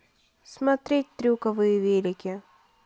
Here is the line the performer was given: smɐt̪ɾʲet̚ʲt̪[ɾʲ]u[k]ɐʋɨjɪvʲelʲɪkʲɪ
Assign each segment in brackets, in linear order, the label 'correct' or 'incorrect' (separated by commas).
correct, correct